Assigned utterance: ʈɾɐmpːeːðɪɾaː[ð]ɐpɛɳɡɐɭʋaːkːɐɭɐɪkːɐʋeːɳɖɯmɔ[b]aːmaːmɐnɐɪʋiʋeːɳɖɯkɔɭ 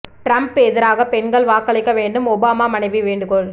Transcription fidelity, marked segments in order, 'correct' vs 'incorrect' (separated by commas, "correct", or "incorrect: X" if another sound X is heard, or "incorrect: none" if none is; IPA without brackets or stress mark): incorrect: ɣ, correct